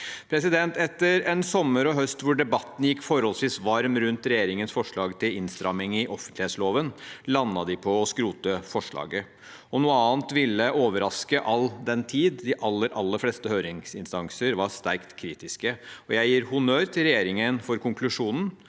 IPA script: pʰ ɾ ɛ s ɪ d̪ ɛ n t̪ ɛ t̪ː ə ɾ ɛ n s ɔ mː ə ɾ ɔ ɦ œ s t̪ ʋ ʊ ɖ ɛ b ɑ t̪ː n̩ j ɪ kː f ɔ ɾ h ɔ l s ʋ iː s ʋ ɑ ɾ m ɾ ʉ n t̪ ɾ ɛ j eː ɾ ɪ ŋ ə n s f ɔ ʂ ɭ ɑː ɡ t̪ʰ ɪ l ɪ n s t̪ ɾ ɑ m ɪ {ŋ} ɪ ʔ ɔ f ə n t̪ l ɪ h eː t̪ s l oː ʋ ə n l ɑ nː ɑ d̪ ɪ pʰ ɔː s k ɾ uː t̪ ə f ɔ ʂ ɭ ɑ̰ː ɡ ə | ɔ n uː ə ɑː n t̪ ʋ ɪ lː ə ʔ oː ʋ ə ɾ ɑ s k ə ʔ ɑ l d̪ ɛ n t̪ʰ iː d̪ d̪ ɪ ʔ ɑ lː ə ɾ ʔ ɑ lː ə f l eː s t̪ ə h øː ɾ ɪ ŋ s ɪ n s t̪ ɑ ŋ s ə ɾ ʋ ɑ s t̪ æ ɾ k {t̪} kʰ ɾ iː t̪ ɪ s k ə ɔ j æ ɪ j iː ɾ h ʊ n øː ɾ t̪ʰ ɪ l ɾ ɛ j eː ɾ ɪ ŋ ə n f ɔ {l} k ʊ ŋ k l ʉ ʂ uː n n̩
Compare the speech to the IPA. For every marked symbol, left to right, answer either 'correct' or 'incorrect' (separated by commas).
correct, correct, incorrect